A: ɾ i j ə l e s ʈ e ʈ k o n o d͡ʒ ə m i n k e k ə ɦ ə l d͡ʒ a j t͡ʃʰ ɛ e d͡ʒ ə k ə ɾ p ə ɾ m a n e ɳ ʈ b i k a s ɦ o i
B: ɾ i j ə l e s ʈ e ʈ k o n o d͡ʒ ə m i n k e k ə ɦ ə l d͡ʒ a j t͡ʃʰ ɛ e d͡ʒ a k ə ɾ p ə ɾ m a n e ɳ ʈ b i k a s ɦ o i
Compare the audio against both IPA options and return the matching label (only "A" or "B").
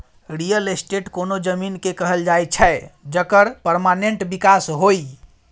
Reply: A